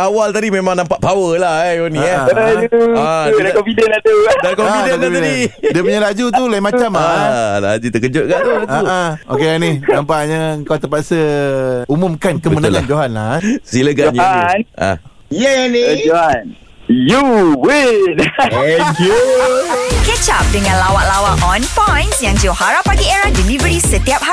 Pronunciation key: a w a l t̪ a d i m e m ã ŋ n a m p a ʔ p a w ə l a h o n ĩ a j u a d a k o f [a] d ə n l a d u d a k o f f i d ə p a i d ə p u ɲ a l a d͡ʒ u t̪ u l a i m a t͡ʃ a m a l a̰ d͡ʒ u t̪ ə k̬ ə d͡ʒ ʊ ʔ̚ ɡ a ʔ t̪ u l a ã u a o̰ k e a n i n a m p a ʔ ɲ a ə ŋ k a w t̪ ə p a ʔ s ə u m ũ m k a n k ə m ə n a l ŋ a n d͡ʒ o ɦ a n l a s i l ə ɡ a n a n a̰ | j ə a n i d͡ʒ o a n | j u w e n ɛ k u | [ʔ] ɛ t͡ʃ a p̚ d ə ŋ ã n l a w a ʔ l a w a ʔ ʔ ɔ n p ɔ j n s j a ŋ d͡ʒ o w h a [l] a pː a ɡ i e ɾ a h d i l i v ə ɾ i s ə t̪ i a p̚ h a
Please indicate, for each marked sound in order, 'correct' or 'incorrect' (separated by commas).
incorrect, incorrect, incorrect